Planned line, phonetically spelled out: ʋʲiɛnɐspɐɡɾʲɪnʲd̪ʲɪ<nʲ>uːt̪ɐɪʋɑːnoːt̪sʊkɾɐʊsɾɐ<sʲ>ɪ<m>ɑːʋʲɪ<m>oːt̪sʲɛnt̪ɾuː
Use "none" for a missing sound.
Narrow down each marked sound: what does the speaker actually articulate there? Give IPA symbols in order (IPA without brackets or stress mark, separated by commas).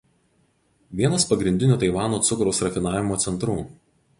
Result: nʲ, fʲ, n, m